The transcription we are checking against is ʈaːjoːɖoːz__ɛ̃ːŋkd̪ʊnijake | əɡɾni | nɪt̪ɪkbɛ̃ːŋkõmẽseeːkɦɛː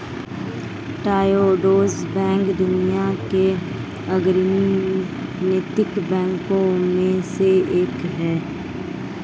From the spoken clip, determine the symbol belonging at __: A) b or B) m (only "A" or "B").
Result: A